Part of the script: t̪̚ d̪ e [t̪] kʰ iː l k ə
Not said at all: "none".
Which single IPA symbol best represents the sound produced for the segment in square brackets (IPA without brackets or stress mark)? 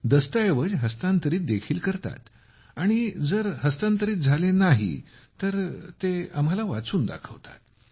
none